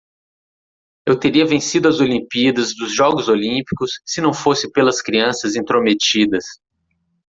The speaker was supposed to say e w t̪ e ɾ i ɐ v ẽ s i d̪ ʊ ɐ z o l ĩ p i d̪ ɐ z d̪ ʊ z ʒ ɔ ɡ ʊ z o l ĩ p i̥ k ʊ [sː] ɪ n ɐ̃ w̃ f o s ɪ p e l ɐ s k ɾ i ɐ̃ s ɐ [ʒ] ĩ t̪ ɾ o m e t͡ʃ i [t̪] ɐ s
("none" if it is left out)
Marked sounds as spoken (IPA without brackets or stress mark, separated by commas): sː, z, d̪